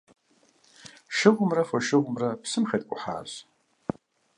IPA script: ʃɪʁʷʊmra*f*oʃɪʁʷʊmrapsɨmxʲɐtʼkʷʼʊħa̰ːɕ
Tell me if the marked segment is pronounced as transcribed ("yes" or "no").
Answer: yes